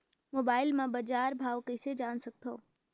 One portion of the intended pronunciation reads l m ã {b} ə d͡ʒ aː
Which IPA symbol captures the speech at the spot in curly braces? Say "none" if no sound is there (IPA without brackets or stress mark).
b